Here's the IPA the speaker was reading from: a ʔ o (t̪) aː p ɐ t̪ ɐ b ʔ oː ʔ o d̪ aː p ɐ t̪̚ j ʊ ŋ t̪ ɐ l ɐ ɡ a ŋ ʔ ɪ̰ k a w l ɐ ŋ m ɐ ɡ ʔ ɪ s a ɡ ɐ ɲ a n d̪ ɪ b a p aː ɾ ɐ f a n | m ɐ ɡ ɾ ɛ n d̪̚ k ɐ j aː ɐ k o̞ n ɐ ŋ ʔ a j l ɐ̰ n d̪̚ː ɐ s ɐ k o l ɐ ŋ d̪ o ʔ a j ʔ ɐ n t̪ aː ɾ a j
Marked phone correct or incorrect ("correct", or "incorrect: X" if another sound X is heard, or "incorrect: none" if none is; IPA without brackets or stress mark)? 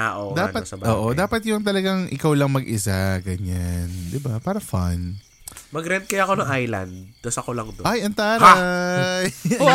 incorrect: d̪